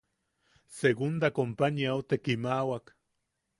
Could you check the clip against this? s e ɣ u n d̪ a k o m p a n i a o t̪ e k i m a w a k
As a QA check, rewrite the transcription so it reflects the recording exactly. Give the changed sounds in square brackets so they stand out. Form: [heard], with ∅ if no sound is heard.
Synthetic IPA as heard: s e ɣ u n d̪ a k o m p a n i a o t̪ e k i m a w a k